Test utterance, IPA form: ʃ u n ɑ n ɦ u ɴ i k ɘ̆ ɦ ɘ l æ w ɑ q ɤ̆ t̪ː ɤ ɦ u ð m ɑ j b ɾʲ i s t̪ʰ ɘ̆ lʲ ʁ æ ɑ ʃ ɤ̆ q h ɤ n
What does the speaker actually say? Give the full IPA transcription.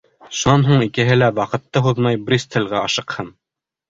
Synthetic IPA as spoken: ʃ u n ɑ n ɦ u ɴ i k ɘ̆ ɦ ɘ l æ w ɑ q ɤ̆ t̪ː ɤ ɦ u ð m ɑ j b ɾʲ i s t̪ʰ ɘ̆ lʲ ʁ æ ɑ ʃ ɤ̆ q h ɤ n